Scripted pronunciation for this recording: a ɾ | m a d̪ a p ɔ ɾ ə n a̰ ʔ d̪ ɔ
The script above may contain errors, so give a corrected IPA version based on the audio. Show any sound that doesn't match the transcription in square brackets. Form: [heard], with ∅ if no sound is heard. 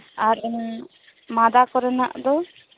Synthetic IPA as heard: a ɾ | m a d̪ a [k] ɔ ɾ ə n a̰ ʔ d̪ ɔ